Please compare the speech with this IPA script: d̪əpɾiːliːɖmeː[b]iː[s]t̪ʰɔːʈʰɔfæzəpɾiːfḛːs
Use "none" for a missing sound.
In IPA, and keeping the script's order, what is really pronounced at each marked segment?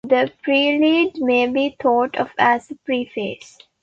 b, none

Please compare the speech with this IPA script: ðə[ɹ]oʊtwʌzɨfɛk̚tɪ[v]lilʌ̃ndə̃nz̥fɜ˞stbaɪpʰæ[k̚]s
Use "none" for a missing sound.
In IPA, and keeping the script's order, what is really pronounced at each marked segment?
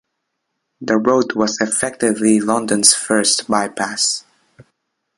ɹ, v, none

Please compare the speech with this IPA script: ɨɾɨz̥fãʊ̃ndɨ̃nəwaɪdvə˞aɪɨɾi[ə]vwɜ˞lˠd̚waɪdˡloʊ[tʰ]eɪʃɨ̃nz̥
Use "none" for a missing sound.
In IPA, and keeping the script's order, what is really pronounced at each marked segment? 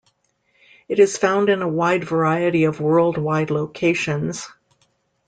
ʌ, kʰ

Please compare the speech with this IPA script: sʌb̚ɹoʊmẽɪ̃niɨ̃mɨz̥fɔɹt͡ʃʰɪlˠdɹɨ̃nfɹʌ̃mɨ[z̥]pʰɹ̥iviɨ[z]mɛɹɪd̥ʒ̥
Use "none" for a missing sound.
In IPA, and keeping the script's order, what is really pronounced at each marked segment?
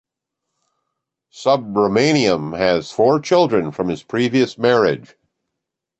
z̥, s

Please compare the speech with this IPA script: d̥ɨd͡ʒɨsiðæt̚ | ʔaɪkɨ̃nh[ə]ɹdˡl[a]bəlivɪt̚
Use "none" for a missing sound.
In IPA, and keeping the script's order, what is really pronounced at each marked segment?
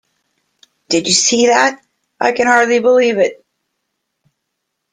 ɑ, i

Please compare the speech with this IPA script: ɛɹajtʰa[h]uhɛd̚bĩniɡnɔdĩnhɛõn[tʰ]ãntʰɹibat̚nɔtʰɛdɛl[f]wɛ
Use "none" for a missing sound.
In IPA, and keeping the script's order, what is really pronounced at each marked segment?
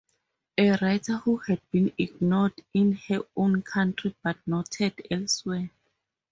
h, kʰ, s

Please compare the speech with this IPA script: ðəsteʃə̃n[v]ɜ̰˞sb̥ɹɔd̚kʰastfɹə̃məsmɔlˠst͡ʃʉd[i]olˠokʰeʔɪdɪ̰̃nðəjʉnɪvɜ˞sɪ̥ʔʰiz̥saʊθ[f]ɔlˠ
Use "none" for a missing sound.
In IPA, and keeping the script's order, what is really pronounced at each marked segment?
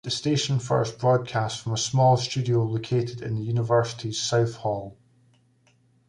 f, i, h

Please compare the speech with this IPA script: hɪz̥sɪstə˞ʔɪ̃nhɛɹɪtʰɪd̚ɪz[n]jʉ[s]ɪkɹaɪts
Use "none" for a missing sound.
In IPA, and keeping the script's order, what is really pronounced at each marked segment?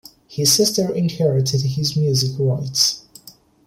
m, z

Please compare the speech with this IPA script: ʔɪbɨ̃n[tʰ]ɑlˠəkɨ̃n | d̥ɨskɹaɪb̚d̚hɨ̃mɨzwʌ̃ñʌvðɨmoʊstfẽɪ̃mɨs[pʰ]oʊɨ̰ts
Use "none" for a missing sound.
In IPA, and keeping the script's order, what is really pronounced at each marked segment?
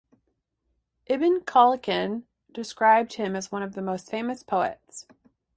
kʰ, pʰ

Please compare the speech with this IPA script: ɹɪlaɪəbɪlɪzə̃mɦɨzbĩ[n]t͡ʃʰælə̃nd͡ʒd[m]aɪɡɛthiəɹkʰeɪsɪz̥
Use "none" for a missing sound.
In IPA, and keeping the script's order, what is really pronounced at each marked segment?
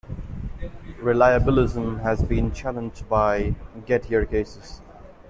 n, b

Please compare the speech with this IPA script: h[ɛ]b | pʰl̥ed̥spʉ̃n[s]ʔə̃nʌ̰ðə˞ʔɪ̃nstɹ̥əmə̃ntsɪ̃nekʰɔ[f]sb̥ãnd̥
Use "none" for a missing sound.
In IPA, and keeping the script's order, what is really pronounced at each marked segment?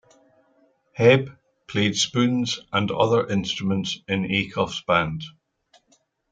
ɛ, z, f

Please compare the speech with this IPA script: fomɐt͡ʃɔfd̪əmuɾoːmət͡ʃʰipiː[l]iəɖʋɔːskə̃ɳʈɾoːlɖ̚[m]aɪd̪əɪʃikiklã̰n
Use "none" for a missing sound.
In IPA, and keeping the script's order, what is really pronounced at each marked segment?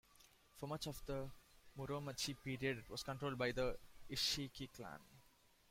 ɾ, b

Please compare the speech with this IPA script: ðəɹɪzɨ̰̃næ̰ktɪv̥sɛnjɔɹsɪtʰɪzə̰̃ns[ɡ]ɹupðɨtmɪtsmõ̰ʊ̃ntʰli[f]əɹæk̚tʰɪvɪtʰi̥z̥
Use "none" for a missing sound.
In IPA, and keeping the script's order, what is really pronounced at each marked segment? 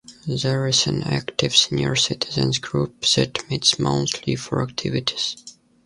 ɡ, f

